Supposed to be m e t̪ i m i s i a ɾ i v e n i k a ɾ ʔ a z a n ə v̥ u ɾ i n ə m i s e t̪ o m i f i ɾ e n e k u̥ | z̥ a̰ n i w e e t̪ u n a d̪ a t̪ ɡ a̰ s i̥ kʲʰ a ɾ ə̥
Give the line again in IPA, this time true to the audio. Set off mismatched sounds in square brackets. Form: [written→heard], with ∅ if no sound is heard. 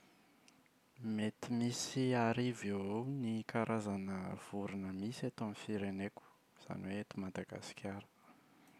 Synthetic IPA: m e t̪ i m i s i a ɾ i v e n i k a ɾ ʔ a z a n ə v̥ u ɾ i n ə m i s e t̪ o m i f i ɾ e n e k u̥ | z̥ a̰ n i w e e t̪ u [n→m] a d̪ a [t̪→∅] ɡ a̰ s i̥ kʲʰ a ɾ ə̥